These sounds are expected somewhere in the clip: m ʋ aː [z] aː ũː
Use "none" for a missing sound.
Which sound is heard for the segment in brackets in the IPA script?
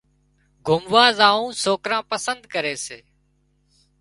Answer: z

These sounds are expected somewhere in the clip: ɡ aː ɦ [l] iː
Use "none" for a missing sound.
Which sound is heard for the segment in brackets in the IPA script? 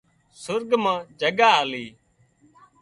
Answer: l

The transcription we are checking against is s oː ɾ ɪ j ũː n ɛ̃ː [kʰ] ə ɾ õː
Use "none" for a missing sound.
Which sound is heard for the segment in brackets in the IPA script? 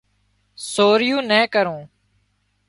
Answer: k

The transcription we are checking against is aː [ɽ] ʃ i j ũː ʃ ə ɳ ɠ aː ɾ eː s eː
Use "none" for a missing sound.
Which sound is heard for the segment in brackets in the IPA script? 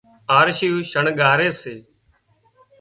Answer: ɾ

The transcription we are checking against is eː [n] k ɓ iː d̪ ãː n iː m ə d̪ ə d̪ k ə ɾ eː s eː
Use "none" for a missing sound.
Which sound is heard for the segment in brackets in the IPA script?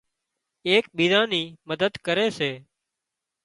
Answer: none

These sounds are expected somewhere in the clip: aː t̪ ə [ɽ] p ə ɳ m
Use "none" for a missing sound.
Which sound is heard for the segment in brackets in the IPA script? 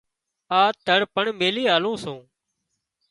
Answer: ɽ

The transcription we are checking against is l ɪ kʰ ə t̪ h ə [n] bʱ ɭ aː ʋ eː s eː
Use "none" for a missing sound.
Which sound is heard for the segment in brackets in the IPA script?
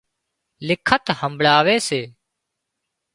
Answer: m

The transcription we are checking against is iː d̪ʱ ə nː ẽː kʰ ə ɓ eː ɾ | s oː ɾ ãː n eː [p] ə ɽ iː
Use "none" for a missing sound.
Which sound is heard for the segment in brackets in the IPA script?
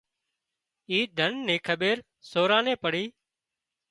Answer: p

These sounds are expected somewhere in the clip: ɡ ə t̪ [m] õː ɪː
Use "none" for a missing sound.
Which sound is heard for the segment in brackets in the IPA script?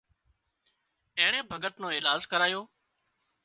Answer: n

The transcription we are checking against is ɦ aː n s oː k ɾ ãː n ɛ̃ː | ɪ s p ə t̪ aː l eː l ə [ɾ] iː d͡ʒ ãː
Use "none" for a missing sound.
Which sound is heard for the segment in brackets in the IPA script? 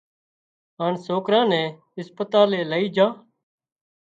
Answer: none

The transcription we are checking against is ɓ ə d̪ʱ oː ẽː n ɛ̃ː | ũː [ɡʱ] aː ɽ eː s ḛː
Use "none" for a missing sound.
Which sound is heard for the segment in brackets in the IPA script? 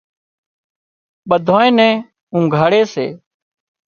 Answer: ɡʱ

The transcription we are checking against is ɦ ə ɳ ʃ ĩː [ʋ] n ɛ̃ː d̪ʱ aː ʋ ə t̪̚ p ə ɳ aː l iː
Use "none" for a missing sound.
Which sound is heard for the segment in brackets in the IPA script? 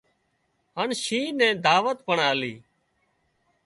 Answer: none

